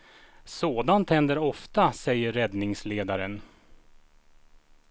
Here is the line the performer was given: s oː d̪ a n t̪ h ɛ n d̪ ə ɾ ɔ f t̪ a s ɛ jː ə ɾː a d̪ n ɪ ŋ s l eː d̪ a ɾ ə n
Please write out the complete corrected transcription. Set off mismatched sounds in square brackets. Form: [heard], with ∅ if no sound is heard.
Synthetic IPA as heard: s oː d̪ a n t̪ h ɛ n d̪ ə ɾ ɔ f t̪ a s ɛ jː ə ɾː [ɛ] d̪ n ɪ ŋ s l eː d̪ a ɾ ə n